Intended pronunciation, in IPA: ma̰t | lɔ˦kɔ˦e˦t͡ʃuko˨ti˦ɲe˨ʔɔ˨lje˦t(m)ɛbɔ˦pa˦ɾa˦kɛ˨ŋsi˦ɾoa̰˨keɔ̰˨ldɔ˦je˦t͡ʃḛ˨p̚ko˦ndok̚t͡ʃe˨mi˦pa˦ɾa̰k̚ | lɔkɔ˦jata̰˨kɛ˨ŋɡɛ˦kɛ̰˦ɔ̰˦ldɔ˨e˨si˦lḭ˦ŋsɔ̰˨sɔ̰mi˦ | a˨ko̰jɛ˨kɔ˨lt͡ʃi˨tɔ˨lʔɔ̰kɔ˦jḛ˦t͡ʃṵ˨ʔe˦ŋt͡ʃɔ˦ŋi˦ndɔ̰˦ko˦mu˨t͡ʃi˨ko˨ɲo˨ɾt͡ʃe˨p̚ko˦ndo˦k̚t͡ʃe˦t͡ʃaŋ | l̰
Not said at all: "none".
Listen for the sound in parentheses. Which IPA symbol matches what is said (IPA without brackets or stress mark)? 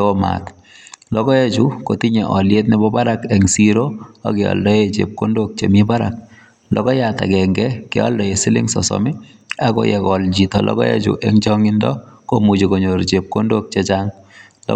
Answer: n